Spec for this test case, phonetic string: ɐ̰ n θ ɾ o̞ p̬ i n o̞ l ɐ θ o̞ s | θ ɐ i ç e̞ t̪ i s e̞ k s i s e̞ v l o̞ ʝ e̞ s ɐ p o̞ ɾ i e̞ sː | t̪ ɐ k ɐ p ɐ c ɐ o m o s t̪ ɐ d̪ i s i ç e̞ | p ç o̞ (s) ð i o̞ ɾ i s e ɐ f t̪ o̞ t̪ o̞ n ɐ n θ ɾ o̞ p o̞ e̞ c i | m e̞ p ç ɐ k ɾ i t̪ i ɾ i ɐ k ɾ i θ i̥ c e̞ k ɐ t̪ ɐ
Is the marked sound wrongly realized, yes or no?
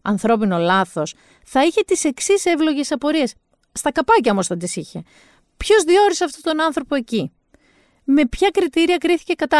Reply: yes